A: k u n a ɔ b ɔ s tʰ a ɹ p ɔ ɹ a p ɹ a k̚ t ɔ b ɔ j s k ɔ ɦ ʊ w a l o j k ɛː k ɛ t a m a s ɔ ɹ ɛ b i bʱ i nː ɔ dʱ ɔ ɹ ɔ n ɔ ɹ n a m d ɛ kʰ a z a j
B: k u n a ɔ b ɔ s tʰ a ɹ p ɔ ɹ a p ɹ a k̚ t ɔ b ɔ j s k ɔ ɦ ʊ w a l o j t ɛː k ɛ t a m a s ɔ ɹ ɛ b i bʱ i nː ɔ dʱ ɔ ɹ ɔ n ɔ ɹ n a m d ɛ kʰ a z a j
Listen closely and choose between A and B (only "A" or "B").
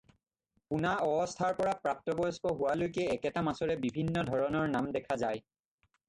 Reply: A